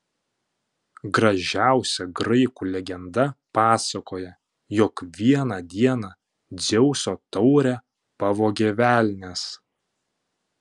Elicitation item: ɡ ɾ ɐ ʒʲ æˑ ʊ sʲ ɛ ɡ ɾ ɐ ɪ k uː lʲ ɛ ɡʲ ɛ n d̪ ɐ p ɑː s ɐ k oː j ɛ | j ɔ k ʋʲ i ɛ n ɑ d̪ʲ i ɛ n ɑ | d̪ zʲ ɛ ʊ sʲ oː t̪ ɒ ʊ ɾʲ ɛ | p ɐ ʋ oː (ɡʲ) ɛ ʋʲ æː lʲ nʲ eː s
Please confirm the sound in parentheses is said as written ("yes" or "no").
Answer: yes